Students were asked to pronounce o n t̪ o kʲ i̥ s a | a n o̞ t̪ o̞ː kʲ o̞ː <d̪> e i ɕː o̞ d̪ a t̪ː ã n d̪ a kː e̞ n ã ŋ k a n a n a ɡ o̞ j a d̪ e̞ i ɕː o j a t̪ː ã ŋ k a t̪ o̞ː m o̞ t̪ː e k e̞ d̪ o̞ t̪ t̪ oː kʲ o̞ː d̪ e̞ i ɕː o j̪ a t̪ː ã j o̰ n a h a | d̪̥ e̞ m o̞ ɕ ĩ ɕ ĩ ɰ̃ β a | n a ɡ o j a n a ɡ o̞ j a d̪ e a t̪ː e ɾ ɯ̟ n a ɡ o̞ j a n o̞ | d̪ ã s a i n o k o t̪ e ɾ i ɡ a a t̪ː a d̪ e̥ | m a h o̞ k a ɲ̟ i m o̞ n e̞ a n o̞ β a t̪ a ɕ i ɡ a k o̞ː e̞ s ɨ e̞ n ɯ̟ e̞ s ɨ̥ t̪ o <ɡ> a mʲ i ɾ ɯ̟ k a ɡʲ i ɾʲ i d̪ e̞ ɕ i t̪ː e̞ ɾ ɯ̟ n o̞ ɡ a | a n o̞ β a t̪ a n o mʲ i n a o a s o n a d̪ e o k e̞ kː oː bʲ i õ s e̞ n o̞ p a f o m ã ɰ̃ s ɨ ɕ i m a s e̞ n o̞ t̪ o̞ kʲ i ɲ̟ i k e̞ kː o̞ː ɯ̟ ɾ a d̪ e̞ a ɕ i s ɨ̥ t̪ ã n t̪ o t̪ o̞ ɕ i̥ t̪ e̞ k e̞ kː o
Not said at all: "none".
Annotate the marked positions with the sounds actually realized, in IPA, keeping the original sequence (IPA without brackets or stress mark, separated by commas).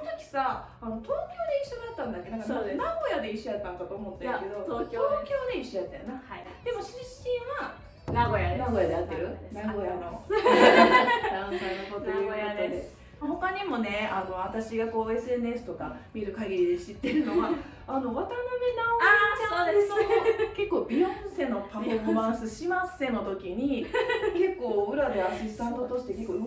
d̪, k